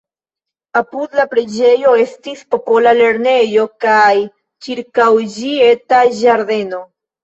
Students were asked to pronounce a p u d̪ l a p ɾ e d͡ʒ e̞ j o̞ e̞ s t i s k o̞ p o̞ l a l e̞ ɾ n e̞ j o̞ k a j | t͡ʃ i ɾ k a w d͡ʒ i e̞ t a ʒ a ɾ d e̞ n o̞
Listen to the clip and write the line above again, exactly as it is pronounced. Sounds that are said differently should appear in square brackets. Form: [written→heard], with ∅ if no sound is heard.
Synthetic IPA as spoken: a p u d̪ l a p ɾ e d͡ʒ e̞ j o̞ e̞ s t i s [k→p] o̞ p o̞ l a l e̞ ɾ n e̞ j o̞ k a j | t͡ʃ i ɾ k a w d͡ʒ i e̞ t a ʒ a ɾ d e̞ n o̞